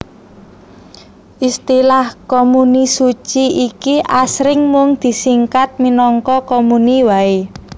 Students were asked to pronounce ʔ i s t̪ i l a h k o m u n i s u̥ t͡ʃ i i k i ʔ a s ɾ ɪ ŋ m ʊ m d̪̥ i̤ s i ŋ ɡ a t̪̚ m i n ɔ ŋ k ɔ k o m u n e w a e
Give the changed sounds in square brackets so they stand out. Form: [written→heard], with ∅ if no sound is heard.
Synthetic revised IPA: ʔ i s t̪ i l a h k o m u n i s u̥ t͡ʃ i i k i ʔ a s ɾ ɪ ŋ m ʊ [m→ŋ] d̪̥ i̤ s i ŋ [ɡ→k] a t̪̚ m i n ɔ ŋ k ɔ k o m u n [e→i] w a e